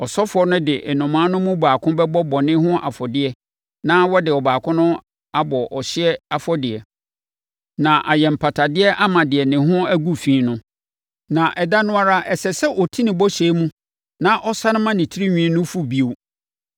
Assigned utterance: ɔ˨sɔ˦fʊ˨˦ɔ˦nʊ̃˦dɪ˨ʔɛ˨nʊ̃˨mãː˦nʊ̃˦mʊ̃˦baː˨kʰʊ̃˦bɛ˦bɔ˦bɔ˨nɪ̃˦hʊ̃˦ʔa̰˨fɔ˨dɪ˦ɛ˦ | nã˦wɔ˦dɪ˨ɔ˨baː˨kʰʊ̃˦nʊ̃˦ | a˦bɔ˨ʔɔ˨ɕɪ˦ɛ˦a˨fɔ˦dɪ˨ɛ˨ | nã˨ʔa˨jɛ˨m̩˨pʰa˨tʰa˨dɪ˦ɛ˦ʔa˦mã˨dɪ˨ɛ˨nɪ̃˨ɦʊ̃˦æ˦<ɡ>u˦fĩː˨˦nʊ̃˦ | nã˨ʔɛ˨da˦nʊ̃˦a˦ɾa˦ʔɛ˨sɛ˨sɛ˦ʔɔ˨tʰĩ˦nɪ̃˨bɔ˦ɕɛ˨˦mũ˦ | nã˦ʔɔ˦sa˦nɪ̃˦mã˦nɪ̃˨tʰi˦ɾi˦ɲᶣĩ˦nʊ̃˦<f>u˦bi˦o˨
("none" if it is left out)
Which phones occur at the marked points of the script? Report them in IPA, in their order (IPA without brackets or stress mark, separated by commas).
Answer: ɡ, f